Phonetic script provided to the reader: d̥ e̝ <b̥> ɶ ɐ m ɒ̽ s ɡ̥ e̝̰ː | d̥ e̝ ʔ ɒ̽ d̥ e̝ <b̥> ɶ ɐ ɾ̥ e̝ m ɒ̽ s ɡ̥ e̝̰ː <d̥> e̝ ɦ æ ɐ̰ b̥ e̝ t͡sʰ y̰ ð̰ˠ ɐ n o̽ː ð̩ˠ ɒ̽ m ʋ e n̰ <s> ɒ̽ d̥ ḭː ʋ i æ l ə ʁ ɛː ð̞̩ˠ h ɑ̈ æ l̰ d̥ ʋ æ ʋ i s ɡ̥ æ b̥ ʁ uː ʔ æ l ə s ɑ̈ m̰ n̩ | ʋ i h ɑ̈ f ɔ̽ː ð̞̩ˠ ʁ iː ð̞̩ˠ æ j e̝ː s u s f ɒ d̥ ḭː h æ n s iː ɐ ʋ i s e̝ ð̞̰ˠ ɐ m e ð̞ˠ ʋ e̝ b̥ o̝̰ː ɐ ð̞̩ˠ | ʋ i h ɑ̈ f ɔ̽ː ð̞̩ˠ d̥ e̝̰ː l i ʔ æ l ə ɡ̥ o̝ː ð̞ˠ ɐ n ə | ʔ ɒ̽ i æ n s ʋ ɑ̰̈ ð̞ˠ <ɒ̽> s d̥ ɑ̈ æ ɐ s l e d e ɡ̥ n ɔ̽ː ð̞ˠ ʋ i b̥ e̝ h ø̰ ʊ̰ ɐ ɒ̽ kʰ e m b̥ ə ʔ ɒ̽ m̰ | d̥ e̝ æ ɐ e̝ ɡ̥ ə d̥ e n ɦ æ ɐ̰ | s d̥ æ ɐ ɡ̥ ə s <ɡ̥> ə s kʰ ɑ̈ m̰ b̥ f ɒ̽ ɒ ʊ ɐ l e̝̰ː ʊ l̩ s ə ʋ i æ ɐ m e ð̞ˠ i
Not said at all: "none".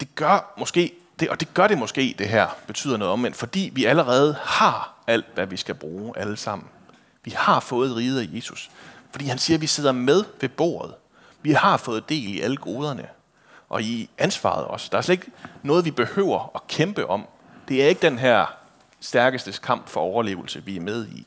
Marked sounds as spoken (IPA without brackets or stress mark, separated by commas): ɡ̥, ɡ̥, d̥, f, ɒ̽, d̥